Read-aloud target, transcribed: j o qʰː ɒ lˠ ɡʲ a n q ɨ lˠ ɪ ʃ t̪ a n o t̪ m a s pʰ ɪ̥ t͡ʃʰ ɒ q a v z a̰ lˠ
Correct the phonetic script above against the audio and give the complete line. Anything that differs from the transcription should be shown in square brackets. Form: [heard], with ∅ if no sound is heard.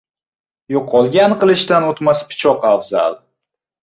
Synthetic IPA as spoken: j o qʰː ɒ lˠ ɡʲ a n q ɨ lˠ ɪ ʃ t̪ a n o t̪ m a s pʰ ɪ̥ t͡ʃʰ ɒ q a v z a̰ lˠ